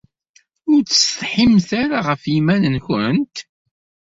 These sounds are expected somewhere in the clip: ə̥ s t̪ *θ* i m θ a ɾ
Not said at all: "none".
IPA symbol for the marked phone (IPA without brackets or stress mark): ħ